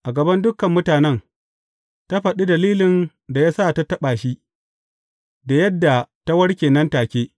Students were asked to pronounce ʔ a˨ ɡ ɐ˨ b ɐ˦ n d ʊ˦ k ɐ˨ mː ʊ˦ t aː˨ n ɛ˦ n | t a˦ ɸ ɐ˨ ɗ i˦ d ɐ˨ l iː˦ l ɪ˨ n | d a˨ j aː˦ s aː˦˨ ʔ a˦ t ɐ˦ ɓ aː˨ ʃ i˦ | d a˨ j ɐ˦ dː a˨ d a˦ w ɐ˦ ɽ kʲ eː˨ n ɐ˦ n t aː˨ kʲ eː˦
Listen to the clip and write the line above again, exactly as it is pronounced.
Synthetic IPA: ʔ a˨ ɡ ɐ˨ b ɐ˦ n d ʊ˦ k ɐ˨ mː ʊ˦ t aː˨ n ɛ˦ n | t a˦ ɸ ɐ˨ ɗ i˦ d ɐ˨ l iː˦ l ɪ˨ n | d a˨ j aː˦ s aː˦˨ t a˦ t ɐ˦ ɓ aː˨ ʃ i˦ | d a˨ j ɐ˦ dː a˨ t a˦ w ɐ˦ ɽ kʲ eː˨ n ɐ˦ n t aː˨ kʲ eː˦